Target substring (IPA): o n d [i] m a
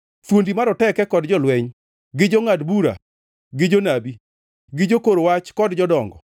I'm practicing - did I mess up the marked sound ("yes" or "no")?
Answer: no